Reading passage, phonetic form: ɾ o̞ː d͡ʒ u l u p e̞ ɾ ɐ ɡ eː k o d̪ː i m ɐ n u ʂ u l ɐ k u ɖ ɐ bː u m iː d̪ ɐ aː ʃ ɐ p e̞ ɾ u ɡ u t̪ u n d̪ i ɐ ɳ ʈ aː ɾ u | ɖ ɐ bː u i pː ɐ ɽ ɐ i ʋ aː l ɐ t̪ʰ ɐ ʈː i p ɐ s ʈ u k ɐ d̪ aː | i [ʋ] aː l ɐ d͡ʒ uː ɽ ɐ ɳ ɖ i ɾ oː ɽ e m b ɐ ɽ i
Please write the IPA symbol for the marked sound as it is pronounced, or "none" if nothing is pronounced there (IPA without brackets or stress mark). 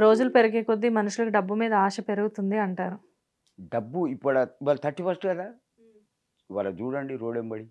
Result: ʋ